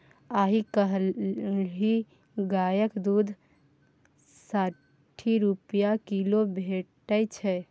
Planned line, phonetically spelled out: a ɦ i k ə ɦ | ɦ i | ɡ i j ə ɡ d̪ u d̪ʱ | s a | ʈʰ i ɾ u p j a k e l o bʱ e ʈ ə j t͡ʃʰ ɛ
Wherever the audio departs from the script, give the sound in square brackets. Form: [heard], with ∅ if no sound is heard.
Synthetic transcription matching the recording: a ɦ i k ə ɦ | ɦ i | ɡ [a] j ə [k] d̪ u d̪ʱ | s a | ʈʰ i ɾ u p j a k [i] l o bʱ e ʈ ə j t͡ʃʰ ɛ